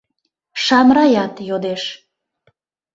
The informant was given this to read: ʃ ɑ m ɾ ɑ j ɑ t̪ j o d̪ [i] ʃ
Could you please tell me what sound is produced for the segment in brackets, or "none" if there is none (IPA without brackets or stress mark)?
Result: e